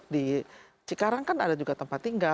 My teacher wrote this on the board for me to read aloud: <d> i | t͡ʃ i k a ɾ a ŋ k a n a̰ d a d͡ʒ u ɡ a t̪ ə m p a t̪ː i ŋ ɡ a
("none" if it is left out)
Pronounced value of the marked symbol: d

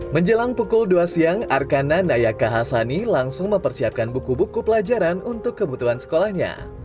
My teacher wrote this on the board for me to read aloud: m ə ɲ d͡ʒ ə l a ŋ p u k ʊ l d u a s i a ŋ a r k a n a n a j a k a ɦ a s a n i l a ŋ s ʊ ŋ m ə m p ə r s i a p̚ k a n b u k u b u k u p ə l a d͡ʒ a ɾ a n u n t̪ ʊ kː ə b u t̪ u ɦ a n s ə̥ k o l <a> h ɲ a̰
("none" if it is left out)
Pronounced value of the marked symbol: a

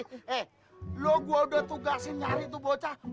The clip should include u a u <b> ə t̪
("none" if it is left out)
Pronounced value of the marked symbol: d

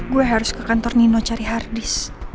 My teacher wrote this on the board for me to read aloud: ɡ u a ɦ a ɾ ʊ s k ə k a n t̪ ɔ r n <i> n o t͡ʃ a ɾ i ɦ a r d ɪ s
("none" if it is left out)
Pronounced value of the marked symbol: i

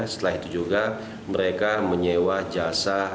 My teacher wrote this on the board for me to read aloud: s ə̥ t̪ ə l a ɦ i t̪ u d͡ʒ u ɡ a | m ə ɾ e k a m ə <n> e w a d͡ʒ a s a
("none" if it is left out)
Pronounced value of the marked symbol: ɲ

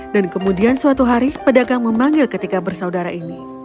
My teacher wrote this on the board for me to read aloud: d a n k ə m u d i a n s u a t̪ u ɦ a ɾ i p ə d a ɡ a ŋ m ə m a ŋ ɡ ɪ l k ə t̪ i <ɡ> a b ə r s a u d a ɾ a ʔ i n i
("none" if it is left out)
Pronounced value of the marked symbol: k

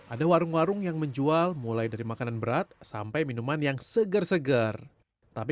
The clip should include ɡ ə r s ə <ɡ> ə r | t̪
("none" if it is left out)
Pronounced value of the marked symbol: ɡ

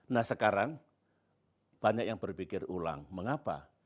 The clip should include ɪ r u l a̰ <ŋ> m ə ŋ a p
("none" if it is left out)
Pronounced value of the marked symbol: ŋ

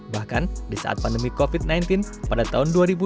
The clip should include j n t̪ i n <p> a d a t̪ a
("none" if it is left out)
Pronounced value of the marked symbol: p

